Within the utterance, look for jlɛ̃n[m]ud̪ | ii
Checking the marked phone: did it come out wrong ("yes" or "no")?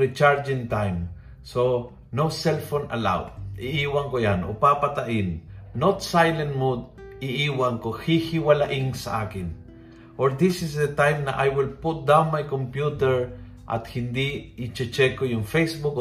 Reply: no